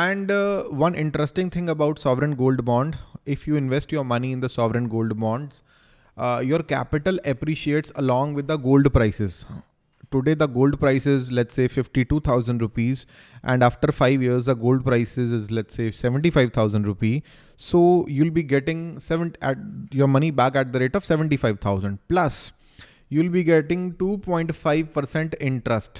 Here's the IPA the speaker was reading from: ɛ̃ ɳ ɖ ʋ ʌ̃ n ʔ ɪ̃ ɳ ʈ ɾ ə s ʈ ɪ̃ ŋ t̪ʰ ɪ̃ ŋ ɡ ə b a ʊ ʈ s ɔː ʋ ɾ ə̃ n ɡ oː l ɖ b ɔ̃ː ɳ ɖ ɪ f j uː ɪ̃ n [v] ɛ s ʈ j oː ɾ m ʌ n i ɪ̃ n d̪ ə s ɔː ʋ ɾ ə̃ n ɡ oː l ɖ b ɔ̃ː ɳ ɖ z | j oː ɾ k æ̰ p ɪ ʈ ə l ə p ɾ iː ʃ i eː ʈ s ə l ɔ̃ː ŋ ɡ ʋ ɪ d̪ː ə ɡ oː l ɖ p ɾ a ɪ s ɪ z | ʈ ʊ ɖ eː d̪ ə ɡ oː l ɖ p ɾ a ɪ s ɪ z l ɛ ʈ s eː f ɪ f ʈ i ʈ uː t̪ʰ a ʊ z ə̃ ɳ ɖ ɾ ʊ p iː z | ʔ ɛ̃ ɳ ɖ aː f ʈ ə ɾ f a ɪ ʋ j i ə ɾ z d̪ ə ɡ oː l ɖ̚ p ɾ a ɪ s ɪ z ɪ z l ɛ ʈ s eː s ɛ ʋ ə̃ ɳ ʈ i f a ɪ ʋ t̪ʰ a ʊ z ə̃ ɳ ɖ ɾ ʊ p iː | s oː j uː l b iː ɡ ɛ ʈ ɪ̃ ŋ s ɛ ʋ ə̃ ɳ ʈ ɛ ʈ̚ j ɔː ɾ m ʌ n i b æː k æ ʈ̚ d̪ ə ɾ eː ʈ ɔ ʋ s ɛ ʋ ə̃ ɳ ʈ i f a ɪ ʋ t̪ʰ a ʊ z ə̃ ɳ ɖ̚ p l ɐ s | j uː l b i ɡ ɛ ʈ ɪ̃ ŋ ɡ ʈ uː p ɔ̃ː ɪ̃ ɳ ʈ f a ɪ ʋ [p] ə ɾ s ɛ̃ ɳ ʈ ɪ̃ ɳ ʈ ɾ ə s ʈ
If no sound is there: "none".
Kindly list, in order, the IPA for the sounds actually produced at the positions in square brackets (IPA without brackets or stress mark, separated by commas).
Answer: ʋ, p